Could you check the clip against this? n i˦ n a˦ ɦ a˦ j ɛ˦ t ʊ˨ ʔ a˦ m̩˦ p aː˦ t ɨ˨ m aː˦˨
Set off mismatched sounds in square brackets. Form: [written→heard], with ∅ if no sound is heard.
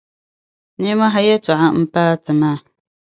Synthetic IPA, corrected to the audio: n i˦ [n→m] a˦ ɦ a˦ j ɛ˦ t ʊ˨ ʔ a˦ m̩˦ p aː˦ t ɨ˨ m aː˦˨